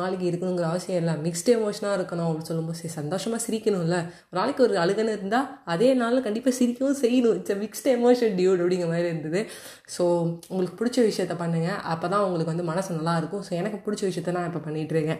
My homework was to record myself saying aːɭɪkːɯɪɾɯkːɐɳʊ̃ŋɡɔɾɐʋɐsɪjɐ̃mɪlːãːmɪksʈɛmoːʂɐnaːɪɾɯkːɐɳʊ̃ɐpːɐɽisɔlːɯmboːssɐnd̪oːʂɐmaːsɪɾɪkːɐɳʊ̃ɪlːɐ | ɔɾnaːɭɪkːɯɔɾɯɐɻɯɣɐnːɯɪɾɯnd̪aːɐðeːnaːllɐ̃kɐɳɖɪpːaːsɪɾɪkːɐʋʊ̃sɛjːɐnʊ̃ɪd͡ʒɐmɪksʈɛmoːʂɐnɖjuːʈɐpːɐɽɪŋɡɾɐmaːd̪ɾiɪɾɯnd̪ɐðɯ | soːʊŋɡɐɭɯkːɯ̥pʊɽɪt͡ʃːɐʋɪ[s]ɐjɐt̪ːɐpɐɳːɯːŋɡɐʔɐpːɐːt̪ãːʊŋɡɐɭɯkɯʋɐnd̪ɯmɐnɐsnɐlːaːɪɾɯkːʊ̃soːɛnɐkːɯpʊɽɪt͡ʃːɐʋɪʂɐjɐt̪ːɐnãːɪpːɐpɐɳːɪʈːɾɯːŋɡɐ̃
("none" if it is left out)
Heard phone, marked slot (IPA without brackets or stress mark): ʂ